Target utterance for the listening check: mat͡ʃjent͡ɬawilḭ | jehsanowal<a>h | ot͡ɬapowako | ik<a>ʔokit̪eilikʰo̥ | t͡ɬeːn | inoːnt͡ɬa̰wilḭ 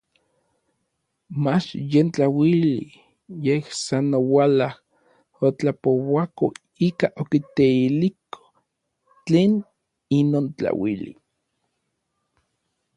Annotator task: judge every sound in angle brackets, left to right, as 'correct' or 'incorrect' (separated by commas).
correct, correct